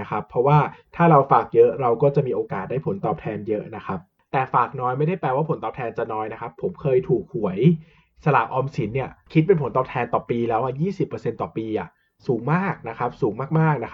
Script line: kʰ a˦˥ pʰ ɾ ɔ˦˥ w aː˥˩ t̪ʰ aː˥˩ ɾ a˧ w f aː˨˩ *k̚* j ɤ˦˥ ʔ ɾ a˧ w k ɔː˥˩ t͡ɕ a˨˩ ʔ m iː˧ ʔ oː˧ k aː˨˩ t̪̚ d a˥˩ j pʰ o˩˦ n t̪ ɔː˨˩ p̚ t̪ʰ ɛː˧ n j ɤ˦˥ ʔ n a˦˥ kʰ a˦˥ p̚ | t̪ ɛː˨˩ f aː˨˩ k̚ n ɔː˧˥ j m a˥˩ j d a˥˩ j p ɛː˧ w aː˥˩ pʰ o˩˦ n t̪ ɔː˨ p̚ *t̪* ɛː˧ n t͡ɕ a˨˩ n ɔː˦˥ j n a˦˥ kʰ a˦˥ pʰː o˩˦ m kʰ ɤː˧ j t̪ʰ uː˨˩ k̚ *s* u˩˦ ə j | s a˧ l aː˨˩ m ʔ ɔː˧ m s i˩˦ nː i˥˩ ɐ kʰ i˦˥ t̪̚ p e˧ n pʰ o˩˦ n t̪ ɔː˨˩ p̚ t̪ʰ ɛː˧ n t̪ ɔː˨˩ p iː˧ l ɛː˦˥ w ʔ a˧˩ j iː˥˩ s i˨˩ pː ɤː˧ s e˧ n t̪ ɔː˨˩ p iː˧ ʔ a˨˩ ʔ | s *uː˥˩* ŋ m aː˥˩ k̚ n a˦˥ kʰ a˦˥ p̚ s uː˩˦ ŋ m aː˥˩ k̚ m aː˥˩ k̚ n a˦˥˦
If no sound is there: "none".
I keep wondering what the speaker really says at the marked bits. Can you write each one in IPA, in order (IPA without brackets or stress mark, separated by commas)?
k̚, t̪ʰ, h, uː˩˦